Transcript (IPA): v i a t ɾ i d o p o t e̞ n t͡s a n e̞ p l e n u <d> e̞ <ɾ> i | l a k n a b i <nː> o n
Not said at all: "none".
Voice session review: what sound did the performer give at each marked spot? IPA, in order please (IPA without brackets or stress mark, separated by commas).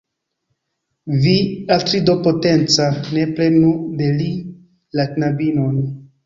d, l, n